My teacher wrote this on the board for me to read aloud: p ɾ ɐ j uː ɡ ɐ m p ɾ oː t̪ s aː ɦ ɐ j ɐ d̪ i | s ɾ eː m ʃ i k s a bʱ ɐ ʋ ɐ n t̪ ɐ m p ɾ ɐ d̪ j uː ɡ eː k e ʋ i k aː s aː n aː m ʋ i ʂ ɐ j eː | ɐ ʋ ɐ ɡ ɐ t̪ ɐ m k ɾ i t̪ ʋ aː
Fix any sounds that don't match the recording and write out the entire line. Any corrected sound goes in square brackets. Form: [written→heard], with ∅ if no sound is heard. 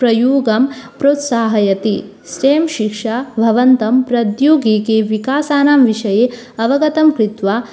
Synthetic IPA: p ɾ ɐ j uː ɡ ɐ m p ɾ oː t̪ s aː ɦ ɐ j ɐ [d̪→t̪] i | s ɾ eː m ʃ i k [s→ʂ] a bʱ ɐ ʋ ɐ n t̪ ɐ m p ɾ ɐ d̪ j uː ɡ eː k e ʋ i k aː s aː n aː m ʋ i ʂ ɐ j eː | ɐ ʋ ɐ ɡ ɐ t̪ ɐ m k ɾ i t̪ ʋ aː